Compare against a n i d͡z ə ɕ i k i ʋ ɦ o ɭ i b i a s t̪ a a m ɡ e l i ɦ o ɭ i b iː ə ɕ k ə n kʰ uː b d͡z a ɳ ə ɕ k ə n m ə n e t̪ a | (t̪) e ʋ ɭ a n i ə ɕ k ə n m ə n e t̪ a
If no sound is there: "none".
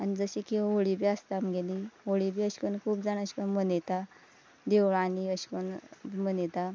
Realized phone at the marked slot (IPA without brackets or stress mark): d̪